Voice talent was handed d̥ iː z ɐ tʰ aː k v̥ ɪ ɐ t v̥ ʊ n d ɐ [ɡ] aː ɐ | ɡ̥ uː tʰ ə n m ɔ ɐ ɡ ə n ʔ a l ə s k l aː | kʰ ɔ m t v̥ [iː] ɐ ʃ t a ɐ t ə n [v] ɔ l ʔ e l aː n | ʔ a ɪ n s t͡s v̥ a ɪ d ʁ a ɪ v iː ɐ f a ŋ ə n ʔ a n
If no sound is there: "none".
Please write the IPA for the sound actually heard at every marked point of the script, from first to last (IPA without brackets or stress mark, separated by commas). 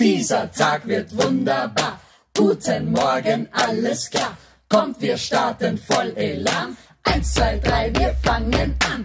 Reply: b, iː, f